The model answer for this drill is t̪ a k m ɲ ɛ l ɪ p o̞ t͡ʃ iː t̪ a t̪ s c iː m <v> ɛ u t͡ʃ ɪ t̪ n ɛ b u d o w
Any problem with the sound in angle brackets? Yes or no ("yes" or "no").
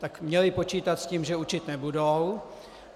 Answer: yes